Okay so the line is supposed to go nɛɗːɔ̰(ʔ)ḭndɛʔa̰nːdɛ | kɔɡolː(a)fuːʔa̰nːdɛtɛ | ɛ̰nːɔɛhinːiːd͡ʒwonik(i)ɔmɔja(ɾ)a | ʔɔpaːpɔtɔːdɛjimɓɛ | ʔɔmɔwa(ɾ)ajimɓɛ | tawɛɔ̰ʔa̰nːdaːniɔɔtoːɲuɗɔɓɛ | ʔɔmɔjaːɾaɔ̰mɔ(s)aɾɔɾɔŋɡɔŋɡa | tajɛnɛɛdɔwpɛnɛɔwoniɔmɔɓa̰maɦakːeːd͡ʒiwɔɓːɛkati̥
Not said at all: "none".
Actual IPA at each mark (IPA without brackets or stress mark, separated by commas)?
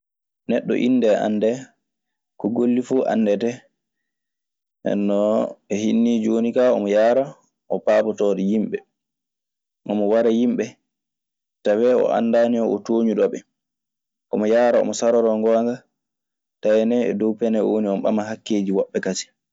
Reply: ʔ, i, a, ɾ, ɾ, s